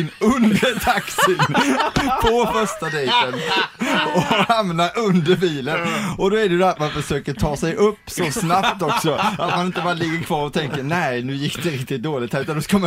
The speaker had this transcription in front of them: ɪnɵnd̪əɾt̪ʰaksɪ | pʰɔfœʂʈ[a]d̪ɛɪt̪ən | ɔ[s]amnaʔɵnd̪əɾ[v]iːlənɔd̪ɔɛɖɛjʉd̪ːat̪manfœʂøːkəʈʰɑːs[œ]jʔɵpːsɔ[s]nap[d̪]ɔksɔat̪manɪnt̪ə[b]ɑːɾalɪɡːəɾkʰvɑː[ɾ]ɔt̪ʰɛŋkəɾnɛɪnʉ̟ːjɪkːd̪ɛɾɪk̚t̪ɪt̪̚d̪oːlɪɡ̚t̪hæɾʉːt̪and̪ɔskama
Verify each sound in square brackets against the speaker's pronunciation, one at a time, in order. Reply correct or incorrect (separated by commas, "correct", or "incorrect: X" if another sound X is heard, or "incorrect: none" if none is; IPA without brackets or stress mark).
correct, incorrect: h, incorrect: b, incorrect: ɛ, correct, incorrect: t̪, correct, correct